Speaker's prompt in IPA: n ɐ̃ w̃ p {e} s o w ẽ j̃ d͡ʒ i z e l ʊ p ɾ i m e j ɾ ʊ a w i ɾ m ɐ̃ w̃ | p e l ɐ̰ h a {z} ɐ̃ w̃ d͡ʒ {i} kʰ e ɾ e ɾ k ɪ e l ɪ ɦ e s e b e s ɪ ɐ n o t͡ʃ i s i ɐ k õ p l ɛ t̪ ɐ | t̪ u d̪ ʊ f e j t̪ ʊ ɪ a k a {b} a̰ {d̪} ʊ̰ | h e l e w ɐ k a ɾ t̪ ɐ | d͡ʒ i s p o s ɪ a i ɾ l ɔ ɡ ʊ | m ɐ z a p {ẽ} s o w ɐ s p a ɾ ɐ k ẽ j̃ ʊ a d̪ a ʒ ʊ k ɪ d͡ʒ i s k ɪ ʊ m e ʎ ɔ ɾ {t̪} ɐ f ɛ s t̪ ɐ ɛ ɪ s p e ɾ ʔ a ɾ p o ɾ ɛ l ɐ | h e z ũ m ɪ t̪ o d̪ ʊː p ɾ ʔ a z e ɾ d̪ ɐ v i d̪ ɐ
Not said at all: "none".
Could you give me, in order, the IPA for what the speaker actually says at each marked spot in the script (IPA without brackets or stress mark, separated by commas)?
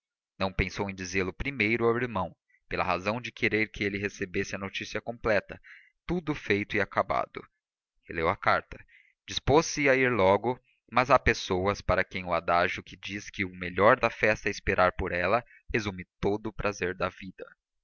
ẽ, z, ɪ, b, d̪, e, d̪